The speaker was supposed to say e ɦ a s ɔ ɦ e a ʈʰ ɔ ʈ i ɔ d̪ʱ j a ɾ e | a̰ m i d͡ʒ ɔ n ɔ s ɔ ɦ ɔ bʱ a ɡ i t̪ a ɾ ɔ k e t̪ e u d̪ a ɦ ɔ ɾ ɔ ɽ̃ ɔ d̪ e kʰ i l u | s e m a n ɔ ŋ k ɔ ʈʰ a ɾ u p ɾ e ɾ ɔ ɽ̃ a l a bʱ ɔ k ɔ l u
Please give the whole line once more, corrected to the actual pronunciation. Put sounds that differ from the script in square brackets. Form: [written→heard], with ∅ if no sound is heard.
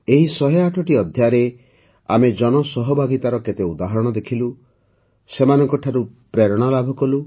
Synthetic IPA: e ɦ [a→i] s ɔ ɦ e a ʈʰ ɔ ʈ i ɔ d̪ʱ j a ɾ e | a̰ m [i→e] d͡ʒ ɔ n ɔ s ɔ ɦ ɔ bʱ a ɡ i t̪ a ɾ ɔ k e t̪ e u d̪ a ɦ ɔ ɾ ɔ ɽ̃ ɔ d̪ e kʰ i l u | s e m a n ɔ ŋ k ɔ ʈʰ a ɾ u p ɾ e ɾ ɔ ɽ̃ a l a bʱ ɔ k ɔ l u